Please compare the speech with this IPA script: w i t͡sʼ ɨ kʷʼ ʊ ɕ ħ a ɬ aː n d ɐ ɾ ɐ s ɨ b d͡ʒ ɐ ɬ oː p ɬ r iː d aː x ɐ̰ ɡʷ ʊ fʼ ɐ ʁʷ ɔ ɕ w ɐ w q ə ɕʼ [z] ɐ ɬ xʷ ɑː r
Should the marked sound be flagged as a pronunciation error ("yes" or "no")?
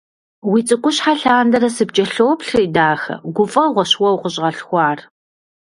yes